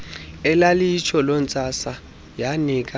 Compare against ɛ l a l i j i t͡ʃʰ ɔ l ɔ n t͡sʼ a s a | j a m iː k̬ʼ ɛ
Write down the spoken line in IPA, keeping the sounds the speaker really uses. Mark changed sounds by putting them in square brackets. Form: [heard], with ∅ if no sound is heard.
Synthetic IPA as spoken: ɛ l a l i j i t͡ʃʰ ɔ l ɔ n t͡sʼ a s a | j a [n] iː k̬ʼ [a]